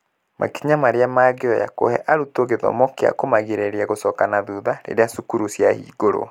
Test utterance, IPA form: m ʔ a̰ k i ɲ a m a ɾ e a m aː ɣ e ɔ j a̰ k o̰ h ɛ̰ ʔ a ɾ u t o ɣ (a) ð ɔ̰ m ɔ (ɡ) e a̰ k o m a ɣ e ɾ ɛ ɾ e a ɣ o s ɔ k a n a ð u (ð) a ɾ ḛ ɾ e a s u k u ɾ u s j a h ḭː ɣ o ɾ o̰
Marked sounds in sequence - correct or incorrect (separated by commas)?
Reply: incorrect, incorrect, correct